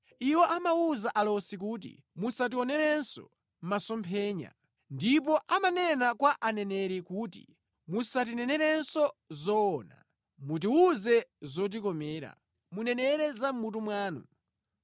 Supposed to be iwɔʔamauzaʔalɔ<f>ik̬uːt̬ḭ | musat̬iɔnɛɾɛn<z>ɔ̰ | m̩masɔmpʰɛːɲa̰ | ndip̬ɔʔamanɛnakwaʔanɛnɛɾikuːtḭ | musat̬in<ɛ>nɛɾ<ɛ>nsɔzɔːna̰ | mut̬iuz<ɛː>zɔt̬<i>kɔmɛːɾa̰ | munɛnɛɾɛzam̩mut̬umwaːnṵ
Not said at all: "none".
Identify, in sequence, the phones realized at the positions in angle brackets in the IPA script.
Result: s, s, ɛ, ɛ, ɛ, i

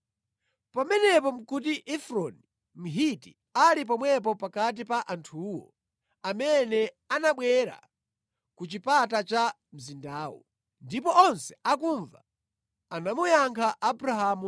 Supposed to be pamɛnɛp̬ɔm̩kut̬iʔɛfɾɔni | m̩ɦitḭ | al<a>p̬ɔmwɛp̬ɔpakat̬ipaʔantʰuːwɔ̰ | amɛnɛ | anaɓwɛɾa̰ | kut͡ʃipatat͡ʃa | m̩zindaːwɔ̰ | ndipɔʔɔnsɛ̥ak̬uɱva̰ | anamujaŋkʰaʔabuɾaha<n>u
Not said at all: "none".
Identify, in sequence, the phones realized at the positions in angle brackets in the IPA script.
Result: i, m

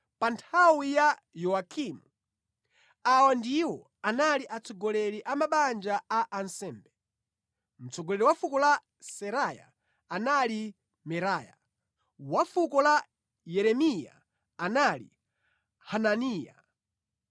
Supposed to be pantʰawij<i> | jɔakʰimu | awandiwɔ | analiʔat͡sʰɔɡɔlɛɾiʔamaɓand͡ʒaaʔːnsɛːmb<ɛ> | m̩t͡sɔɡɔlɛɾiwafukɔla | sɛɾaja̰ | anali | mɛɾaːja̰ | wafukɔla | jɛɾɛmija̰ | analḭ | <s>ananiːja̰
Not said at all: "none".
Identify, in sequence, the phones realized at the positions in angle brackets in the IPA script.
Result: a, ɛ, h

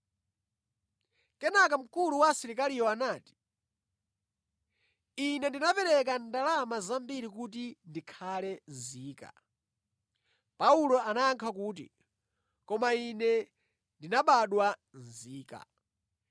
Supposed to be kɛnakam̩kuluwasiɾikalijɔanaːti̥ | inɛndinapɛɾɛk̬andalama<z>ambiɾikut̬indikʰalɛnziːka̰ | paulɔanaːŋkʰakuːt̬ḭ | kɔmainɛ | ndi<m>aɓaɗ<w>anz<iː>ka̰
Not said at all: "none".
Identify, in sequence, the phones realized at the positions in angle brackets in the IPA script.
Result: z, n, w, iː

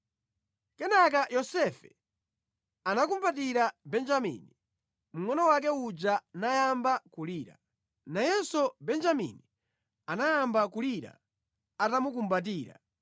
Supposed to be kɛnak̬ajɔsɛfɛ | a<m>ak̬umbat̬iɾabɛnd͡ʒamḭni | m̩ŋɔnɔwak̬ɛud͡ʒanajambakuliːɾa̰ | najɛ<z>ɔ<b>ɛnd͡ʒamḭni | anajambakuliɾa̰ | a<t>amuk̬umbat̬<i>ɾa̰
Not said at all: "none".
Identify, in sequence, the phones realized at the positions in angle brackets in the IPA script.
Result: n, s, b, t, iː

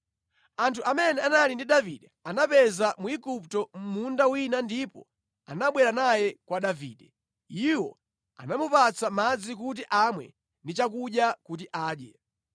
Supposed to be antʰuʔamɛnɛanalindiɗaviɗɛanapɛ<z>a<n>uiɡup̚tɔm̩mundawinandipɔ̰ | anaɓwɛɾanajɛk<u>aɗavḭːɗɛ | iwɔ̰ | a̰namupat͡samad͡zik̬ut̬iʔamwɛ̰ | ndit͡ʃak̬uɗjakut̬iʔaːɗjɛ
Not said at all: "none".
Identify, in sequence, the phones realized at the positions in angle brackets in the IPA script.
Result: z, m, w

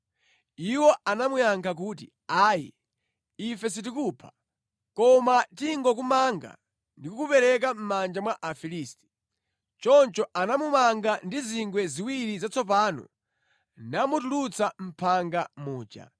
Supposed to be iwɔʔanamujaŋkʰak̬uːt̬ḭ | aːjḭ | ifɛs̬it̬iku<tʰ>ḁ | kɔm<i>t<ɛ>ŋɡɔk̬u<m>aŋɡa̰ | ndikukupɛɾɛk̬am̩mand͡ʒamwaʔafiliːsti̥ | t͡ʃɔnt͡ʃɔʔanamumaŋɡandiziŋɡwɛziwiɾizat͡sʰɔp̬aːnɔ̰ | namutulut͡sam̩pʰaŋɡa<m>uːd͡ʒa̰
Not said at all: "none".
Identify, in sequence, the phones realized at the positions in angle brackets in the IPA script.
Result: pʰ, a, i, m, m

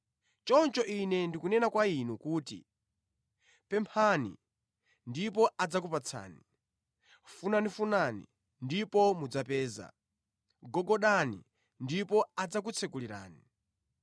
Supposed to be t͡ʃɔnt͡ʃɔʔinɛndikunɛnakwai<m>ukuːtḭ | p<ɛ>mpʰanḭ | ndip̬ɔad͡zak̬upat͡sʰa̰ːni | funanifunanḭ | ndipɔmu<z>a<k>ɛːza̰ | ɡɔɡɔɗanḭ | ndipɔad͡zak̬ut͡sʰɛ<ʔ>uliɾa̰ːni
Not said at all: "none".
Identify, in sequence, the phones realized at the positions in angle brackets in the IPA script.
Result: n, ɛ, d͡z, p, k

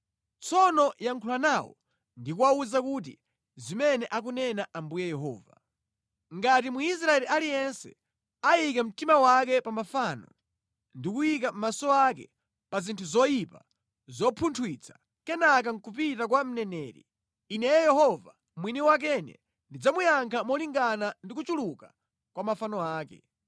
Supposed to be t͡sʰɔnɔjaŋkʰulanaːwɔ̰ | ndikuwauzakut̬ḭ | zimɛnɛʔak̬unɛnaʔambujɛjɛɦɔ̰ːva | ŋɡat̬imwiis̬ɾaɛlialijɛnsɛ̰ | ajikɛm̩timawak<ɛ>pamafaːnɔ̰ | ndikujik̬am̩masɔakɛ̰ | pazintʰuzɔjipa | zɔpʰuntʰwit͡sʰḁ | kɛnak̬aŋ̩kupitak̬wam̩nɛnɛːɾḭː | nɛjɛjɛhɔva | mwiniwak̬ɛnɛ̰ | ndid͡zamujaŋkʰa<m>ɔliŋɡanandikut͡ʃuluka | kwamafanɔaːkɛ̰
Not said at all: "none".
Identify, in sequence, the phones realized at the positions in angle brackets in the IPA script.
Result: ɛ, m

